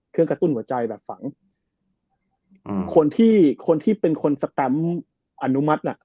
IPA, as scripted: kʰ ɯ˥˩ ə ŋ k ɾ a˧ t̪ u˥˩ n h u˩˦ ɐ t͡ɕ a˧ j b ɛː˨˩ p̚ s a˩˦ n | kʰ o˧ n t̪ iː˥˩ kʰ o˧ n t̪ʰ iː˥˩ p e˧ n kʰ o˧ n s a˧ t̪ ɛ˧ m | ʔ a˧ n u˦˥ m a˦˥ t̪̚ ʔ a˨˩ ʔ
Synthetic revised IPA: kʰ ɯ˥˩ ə ŋ k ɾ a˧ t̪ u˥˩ n h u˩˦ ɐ t͡ɕ a˧ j b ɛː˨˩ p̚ f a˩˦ ŋ | kʰ o˧ n t̪ʰ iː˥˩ kʰ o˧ n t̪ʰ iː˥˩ p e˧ n kʰ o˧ n s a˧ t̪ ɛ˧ m | ʔ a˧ n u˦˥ m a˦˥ t̪̚ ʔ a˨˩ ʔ